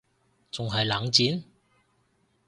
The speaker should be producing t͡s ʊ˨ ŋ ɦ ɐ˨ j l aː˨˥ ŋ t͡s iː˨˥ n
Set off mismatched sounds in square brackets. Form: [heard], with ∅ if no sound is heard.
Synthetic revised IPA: t͡s ʊ˨ ŋ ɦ ɐ˨ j l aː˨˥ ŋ t͡s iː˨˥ n